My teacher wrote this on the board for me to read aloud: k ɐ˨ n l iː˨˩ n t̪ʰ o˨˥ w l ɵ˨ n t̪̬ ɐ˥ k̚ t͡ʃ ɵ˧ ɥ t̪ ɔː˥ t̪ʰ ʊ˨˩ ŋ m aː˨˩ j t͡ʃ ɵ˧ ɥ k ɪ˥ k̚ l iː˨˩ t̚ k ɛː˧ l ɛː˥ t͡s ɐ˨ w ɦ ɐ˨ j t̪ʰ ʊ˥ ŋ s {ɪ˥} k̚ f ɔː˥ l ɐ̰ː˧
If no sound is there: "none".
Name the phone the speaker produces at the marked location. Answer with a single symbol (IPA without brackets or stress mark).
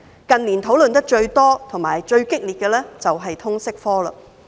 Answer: ɪ˥